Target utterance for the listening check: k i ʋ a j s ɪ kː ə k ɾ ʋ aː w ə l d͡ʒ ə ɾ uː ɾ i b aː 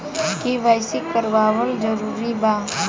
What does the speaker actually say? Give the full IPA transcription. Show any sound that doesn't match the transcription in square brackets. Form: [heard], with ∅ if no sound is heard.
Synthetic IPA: k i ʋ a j s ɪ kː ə [∅] ɾ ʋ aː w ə l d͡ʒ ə ɾ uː ɾ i b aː

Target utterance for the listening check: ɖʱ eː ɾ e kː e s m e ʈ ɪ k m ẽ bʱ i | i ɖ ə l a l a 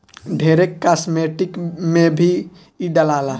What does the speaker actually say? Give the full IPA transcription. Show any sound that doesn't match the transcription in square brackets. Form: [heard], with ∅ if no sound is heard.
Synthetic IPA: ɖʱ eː ɾ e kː [a] s m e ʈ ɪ k m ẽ bʱ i | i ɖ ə l a l a

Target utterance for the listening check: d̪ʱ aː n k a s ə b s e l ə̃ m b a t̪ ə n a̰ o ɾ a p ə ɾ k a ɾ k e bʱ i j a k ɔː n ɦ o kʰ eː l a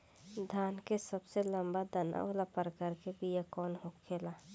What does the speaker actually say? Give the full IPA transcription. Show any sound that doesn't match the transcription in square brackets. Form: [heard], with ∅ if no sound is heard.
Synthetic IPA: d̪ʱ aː n k [e] s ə b s e l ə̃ m b a [d̪] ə n a̰ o [l] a p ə ɾ k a ɾ k e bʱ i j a k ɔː n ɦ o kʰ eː l a

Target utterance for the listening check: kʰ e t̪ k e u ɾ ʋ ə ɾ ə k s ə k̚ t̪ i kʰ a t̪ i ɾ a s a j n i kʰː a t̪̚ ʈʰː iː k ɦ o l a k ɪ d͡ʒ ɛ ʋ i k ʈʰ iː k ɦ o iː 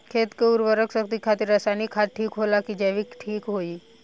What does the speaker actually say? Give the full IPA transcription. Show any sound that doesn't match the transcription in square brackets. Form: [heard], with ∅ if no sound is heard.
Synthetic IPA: kʰ e t̪ k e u ɾ ʋ ə ɾ ə k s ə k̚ t̪ i kʰ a t̪ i ɾ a s a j n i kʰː a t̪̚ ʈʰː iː k ɦ o l a k [i] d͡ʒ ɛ ʋ i k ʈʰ iː k ɦ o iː

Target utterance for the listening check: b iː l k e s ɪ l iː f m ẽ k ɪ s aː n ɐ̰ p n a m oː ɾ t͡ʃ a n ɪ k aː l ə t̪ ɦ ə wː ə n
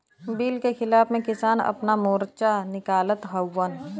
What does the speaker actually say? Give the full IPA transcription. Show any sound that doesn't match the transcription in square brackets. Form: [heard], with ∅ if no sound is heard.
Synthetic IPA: b iː l k e [x] ɪ l [aː] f m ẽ k ɪ s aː n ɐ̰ p n a m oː ɾ t͡ʃ a n ɪ k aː l ə t̪ ɦ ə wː ə n

